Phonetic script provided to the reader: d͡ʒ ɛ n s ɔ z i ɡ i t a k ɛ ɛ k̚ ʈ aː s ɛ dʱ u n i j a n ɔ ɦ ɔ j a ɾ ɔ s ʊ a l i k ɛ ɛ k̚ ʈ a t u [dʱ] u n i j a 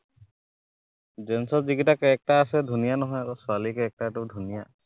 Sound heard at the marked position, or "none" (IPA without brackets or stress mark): dʱ